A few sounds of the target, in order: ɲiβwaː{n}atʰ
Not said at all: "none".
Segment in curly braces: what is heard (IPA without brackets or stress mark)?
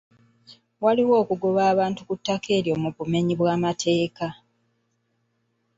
m